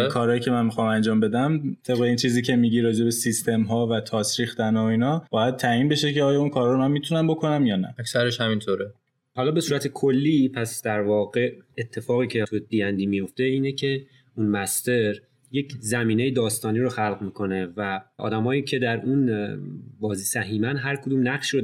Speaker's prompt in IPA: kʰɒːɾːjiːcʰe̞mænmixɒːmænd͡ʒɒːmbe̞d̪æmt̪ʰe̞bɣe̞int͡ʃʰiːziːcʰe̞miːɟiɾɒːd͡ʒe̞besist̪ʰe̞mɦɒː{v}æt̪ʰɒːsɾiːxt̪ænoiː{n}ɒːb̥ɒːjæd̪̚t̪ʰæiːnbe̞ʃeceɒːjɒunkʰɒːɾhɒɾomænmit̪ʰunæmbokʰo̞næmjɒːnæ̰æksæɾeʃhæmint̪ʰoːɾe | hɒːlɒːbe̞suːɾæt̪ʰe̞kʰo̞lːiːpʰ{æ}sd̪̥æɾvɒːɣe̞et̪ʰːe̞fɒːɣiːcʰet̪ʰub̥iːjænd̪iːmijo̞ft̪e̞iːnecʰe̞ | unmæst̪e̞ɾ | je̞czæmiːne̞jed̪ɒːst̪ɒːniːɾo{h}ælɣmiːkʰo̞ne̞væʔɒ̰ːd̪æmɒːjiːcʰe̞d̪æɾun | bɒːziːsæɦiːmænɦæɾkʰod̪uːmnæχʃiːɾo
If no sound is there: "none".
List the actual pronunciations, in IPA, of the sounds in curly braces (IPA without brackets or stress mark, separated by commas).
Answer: v, n, æ, x